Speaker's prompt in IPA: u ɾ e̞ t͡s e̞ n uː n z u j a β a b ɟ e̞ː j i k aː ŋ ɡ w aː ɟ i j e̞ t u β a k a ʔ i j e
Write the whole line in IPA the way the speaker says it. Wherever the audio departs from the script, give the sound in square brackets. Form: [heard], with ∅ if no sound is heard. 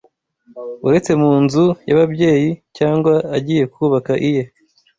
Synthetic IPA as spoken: u ɾ e̞ t͡s e̞ [m] uː n z u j a β a b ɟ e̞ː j i [c] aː ŋ ɡ w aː ɟ i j e̞ [k] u β a k a ʔ i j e